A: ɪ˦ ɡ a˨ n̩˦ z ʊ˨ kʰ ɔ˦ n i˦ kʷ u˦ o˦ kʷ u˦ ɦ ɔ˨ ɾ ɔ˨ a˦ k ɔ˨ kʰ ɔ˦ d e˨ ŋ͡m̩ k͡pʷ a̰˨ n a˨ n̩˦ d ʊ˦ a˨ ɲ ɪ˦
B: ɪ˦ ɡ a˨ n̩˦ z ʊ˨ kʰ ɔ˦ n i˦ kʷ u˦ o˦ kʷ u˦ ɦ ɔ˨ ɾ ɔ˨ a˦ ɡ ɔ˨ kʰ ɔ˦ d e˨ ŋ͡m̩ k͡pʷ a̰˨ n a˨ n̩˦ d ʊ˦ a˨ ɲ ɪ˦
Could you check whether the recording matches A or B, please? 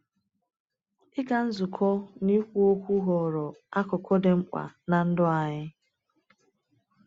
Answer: A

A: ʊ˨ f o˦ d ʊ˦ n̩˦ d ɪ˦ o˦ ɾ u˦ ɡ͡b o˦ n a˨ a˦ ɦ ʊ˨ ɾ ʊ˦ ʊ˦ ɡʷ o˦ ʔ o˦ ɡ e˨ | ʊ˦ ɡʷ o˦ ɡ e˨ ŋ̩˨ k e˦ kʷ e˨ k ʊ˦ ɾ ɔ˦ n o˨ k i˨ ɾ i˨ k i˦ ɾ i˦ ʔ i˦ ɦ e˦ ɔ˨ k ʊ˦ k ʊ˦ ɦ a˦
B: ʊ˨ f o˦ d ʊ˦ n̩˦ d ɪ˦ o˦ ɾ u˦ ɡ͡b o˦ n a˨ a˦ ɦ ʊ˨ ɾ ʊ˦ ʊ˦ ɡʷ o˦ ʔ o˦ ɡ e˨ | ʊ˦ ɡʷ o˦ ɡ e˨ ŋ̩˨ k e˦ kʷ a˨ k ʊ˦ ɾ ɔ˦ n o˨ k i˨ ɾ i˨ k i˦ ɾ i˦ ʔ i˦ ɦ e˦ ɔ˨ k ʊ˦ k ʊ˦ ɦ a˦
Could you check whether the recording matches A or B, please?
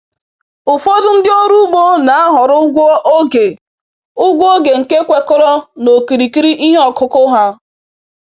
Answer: A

